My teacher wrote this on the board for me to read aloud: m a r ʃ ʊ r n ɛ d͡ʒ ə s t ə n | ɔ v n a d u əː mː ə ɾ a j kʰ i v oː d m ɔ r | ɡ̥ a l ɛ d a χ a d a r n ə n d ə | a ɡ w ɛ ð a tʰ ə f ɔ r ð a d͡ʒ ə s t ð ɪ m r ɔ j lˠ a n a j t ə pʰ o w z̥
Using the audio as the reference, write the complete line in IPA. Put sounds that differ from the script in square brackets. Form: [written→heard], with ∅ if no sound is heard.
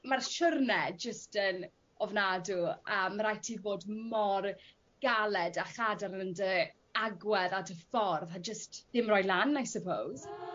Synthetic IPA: m a r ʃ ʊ r n ɛ d͡ʒ ə s t ə n | ɔ v n a d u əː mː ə ɾ a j [kʰ→tʰ] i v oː d m ɔ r | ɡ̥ a l ɛ d a χ a d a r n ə n d ə | a ɡ w ɛ ð a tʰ ə f ɔ r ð a d͡ʒ ə s t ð ɪ m r ɔ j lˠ a n a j [t→s] ə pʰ o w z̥